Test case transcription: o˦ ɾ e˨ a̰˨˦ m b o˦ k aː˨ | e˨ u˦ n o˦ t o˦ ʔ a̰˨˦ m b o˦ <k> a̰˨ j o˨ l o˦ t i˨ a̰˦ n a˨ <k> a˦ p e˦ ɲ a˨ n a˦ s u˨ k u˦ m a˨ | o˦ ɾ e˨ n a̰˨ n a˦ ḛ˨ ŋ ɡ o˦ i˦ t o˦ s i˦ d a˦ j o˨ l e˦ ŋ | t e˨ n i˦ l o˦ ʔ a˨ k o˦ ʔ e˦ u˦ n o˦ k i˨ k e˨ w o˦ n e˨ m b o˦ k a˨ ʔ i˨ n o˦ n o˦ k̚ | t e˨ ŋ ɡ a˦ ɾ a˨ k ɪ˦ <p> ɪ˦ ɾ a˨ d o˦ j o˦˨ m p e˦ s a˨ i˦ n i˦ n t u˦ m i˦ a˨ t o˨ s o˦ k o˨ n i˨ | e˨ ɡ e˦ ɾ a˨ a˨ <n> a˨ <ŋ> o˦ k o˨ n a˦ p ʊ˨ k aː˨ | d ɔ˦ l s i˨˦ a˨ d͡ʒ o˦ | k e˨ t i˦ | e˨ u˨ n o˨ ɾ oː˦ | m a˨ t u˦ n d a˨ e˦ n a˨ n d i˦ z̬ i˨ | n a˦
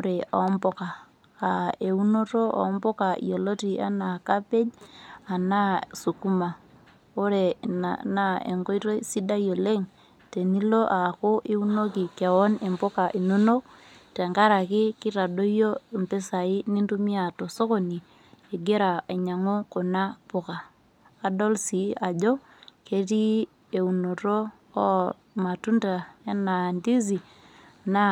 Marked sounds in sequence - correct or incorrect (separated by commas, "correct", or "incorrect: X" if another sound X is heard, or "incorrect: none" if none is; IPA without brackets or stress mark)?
correct, correct, incorrect: k, incorrect: ɲ, correct